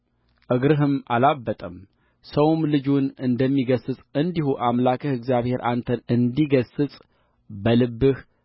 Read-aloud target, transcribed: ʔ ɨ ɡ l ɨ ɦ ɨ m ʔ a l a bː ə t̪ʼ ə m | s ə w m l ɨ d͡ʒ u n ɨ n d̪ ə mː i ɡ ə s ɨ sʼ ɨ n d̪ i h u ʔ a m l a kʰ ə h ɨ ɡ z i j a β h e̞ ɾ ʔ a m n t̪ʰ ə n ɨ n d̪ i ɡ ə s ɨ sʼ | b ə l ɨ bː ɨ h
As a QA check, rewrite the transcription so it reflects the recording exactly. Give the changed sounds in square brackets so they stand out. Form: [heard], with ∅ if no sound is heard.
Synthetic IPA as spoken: ʔ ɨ ɡ [ɾ] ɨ ɦ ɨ m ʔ a l a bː ə t̪ʼ ə m | s ə w m l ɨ d͡ʒ u n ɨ n d̪ ə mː i ɡ ə s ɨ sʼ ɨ n d̪ i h u ʔ a m l a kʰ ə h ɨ ɡ z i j a β h e̞ ɾ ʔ a [∅] n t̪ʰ ə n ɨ n d̪ i ɡ ə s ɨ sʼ | b ə l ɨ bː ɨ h